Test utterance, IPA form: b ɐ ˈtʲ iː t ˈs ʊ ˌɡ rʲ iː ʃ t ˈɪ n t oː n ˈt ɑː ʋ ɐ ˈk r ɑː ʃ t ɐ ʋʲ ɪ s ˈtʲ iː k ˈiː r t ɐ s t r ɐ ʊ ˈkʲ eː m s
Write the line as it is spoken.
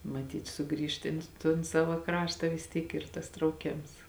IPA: m ɐ ˈtʲ iː t ˈs ʊ ˌɡ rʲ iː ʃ t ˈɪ n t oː n ˈs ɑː ʋ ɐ ˈk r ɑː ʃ t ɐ ʋʲ ɪ s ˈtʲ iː k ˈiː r t ɐ s t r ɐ ʊ ˈkʲ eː m s